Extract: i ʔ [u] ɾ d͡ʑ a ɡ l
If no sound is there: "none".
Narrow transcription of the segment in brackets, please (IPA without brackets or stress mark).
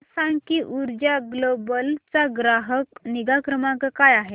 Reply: u